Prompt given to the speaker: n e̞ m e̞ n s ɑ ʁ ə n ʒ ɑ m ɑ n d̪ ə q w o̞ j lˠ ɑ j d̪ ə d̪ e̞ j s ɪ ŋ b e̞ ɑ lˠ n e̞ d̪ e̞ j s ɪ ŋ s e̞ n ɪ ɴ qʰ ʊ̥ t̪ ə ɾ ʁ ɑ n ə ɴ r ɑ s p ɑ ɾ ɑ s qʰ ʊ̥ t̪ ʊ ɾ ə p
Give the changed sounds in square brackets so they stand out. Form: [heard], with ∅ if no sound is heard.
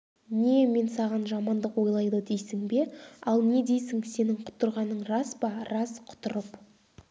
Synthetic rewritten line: n e̞ m e̞ n s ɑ ʁ [ɑ] n ʒ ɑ m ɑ n d̪ ə q w o̞ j lˠ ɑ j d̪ ə d̪ e̞ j s ɪ ŋ b e̞ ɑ lˠ n e̞ d̪ e̞ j s ɪ ŋ s e̞ n ɪ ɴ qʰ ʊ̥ t̪ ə ɾ ʁ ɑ n ə ɴ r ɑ s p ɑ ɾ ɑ s qʰ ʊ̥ t̪ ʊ ɾ ə p